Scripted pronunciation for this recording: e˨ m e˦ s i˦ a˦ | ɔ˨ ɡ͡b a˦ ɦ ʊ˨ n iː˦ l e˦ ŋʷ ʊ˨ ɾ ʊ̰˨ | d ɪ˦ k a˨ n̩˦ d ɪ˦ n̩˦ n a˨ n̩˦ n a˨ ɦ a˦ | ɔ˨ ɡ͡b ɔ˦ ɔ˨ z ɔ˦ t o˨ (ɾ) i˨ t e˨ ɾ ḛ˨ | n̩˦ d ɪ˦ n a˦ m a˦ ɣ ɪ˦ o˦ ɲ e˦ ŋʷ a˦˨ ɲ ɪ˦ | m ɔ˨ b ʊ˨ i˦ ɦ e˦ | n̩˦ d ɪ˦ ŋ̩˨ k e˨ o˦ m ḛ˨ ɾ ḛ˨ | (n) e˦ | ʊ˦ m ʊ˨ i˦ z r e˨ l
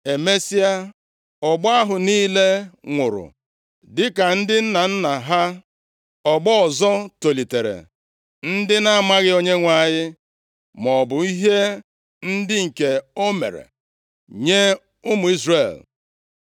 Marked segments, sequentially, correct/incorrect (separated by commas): incorrect, incorrect